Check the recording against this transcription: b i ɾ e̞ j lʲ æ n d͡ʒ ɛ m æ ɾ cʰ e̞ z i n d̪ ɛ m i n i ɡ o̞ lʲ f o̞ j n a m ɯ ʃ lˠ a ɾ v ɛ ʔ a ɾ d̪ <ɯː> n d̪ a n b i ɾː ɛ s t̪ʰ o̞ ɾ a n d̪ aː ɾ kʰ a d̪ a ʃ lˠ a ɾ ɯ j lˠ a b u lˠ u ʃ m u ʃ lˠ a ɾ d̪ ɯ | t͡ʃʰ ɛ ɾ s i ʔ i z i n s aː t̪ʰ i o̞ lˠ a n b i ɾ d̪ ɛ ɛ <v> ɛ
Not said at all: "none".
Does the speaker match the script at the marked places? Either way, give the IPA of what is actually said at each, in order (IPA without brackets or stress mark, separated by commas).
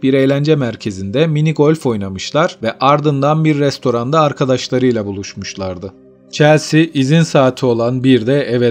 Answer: ɯ, v